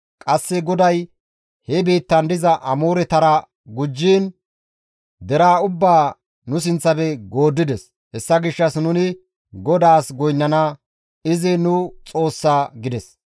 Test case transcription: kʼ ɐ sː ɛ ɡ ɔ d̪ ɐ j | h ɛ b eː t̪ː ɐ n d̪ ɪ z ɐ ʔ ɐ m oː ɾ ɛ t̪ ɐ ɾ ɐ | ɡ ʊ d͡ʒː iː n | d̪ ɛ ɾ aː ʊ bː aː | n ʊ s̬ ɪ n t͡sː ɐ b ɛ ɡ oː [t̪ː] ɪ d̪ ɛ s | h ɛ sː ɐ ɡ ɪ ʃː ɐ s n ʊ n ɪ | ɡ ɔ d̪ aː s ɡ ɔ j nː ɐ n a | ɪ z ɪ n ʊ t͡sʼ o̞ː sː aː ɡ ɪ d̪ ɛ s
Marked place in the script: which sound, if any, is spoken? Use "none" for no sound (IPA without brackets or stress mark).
d̪ː